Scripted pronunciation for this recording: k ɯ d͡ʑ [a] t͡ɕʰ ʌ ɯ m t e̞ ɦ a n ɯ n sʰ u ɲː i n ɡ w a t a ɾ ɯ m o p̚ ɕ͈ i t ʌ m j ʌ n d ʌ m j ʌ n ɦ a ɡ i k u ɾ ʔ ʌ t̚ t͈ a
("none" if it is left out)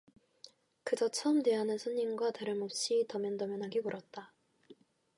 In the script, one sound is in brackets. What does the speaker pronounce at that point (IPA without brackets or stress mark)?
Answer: ʌ